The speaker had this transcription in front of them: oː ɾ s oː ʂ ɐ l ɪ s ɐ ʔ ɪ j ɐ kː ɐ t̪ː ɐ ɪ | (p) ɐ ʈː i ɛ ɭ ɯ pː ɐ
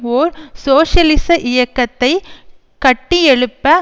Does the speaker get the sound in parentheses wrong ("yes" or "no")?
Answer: yes